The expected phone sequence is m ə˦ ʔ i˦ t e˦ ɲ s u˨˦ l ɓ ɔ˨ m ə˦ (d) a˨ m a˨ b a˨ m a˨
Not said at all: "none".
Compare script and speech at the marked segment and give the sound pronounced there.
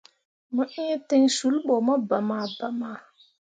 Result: b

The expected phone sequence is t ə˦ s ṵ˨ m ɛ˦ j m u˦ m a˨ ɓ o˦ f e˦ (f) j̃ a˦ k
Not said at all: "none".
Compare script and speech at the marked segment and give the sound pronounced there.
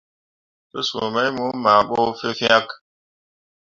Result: f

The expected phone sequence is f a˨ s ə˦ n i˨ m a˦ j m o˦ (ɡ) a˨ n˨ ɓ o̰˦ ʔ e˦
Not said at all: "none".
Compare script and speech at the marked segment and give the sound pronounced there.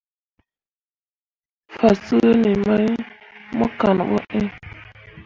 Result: k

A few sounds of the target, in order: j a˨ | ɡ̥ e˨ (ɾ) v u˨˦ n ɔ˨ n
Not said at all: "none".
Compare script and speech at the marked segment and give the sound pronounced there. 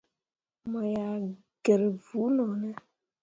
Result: ɾ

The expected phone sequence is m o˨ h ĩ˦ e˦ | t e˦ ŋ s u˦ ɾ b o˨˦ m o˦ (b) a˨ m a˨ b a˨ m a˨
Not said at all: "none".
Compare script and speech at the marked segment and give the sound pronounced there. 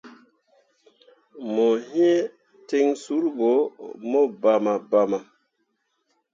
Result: b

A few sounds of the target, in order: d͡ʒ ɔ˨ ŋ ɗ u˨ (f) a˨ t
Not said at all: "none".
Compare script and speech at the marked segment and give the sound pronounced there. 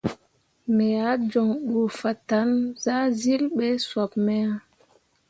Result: f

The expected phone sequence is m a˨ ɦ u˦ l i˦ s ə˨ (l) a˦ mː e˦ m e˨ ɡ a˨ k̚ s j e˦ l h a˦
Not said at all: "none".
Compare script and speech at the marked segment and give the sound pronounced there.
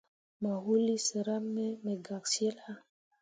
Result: ɾ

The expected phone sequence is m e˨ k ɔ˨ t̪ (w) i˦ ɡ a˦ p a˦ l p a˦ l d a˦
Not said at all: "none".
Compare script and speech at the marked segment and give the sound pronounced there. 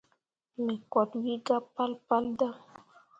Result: w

